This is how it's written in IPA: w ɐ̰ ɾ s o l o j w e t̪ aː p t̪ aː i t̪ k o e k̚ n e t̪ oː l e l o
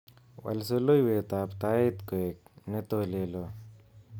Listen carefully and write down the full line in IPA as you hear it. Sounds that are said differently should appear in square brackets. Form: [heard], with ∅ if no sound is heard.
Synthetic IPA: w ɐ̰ [l] s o l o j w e t̪ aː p t̪ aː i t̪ k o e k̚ n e t̪ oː l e l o